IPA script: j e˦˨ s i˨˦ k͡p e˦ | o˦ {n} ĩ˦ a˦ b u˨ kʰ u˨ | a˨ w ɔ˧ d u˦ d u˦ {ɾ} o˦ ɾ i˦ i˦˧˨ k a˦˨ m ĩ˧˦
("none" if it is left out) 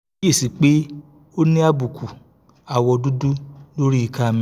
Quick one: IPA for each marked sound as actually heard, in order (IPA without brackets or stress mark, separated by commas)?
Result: n, l